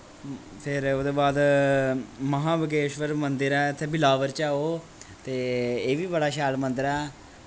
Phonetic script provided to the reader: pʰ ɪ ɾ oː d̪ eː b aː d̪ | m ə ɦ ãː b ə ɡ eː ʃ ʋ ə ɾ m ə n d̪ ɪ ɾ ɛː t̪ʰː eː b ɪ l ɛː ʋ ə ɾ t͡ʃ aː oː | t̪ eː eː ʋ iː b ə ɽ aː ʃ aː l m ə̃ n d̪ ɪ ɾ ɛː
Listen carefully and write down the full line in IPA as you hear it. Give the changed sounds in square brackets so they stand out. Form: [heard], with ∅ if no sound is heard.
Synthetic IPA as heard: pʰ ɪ ɾ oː d̪ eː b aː d̪ | m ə ɦ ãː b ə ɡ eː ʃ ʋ ə ɾ m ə n d̪ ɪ ɾ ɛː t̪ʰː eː b ɪ l [aː] ʋ ə ɾ t͡ʃ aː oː | t̪ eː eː ʋ iː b ə ɽ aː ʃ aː l m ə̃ n d̪ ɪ ɾ ɛː